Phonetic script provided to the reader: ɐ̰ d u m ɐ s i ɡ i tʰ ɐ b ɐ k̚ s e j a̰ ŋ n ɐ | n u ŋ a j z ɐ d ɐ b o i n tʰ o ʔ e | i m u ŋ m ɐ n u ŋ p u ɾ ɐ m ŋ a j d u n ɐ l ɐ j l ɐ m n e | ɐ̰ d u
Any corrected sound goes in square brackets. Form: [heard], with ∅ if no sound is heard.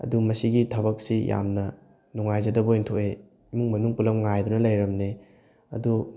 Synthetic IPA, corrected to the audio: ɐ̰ d u m ɐ s i ɡ i tʰ ɐ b ɐ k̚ s [i] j a̰ [m] n ɐ | n u ŋ a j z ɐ d ɐ b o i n tʰ o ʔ e | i m u ŋ m ɐ n u ŋ p u [l] ɐ m ŋ a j d u n ɐ l ɐ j [ɾ] ɐ m n e | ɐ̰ d u